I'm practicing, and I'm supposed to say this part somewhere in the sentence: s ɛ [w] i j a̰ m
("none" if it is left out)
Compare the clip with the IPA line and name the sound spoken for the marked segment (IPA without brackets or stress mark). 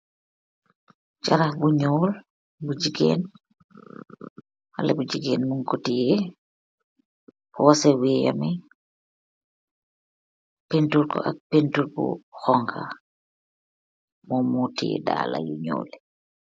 w